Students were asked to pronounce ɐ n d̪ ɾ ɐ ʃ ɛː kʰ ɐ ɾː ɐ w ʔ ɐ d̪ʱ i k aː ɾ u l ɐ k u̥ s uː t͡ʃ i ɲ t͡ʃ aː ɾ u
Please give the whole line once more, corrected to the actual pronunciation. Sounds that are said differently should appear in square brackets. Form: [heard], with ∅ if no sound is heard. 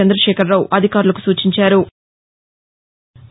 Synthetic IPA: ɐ n d̪ ɾ ɐ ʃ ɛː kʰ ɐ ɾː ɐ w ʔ ɐ d̪ʱ i k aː ɾ u l ɐ k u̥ s uː t͡ʃ i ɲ t͡ʃ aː ɾ u